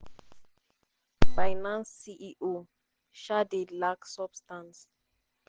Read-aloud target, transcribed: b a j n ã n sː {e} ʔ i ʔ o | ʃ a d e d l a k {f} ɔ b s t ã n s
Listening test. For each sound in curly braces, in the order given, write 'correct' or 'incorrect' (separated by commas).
incorrect, incorrect